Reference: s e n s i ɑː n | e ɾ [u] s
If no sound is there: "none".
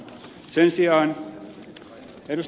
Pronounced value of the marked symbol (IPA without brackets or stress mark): u